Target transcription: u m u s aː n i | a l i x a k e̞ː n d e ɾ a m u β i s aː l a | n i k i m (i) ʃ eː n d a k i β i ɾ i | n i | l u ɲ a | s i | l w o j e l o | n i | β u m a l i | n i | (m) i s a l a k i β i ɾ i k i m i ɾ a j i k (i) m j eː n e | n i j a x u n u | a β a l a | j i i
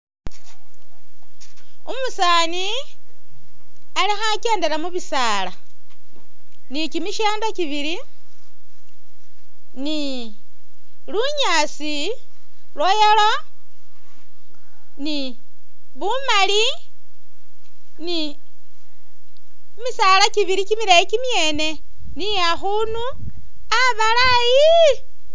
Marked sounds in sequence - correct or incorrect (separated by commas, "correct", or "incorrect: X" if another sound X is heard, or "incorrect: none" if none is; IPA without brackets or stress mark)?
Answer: correct, correct, correct